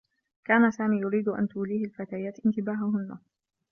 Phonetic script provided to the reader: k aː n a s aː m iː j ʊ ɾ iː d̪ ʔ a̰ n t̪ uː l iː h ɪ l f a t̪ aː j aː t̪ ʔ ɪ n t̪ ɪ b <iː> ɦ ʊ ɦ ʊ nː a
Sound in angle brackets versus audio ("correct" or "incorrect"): incorrect